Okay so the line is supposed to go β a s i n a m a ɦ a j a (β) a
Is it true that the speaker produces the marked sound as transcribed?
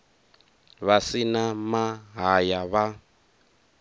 yes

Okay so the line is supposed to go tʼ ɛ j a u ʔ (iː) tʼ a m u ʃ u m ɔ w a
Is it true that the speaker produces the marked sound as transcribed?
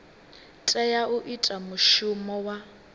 no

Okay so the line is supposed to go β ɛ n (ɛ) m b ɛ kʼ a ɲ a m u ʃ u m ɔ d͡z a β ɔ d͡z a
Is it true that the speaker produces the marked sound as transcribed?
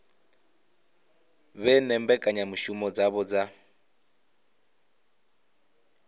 yes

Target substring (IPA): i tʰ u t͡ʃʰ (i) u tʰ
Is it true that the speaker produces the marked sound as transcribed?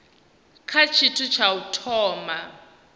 no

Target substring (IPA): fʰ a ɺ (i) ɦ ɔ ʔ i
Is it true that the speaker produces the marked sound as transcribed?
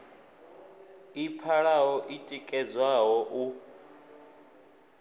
no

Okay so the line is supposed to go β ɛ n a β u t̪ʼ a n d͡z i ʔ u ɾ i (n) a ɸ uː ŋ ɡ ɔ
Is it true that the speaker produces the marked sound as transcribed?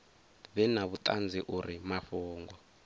no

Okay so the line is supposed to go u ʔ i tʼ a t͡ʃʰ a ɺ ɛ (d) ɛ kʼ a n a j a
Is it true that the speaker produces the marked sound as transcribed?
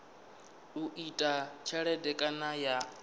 yes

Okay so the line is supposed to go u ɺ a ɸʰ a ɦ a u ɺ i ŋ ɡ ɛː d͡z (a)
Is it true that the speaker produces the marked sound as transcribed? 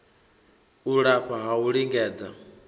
yes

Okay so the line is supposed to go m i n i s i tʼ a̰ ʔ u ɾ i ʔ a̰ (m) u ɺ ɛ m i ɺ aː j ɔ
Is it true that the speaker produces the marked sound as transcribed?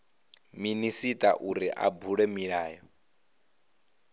no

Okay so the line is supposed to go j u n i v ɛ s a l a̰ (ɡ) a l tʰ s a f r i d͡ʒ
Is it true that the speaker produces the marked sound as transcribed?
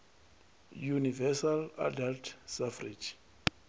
no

